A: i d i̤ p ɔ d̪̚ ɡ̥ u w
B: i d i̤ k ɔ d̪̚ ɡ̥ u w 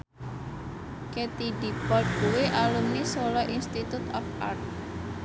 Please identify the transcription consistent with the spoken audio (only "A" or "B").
A